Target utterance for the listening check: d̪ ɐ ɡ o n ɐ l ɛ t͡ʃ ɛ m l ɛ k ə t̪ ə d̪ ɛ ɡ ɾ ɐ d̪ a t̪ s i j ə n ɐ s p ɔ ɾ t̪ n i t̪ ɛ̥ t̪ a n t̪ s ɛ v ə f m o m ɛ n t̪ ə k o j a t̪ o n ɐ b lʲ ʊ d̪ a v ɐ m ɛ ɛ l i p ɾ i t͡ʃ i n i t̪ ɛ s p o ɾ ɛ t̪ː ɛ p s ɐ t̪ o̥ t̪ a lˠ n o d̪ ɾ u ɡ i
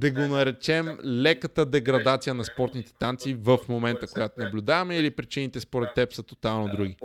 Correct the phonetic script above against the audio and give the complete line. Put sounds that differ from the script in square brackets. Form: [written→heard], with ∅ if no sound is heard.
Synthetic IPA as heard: d̪ ɐ ɡ o n ɐ [l→ɾ] ɛ t͡ʃ ɛ m l ɛ k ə t̪ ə d̪ ɛ ɡ ɾ ɐ d̪ a t̪ s i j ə n ɐ s p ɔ ɾ t̪ n i t̪ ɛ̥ t̪ a n t̪ s [ɛ→i] v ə f m o m ɛ n t̪ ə k o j a t̪ o n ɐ b lʲ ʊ d̪ a v ɐ m ɛ [ɛ→i] l i p ɾ i t͡ʃ i n i t̪ ɛ s p o ɾ ɛ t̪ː ɛ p s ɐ t̪ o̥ t̪ a lˠ n o d̪ ɾ u ɡ i